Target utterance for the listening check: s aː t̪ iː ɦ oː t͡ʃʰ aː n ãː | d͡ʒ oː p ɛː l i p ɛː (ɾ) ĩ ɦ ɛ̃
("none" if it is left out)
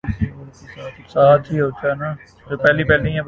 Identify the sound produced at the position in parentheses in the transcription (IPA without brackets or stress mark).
l